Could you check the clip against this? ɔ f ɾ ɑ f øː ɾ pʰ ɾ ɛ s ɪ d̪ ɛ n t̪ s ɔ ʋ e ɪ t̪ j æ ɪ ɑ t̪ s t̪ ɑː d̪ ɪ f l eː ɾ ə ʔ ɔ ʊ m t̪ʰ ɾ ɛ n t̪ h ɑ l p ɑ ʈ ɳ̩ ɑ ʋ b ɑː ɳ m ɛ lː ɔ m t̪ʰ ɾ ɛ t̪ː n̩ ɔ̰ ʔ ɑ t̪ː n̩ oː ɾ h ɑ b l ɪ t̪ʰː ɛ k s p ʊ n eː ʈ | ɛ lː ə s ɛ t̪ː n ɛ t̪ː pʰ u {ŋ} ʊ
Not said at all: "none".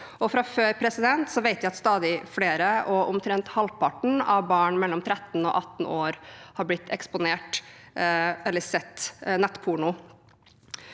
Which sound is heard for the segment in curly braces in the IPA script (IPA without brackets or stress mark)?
ɳ